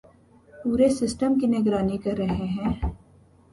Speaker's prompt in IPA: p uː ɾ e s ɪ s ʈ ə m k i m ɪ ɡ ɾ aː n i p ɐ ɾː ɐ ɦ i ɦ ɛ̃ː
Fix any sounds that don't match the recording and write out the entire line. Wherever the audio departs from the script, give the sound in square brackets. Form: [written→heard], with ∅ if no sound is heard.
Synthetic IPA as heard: p uː ɾ e s ɪ s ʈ ə m k i [m→n] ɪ ɡ ɾ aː n i [p→k] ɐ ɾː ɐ ɦ [i→e] ɦ ɛ̃ː